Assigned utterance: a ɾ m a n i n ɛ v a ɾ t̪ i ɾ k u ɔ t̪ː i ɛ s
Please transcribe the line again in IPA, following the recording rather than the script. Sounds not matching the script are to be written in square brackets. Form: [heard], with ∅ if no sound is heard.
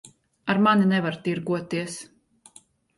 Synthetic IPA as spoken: a ɾ m a n i n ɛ v a ɾ t̪ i ɾ [ɡ] u ɔ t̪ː i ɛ s